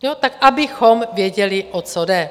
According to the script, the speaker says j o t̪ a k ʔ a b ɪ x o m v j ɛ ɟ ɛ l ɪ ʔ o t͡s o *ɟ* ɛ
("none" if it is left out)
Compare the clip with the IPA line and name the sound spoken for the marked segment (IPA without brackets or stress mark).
d